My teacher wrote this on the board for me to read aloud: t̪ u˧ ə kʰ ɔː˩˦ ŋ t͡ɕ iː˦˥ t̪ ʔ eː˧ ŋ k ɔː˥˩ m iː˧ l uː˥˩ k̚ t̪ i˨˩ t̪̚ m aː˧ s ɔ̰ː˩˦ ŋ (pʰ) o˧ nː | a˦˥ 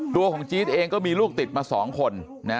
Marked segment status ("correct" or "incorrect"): incorrect